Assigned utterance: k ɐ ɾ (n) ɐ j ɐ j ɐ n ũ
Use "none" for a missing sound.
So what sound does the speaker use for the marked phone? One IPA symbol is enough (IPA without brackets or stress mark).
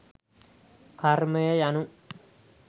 m